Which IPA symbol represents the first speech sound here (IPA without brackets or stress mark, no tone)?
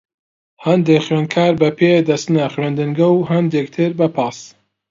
h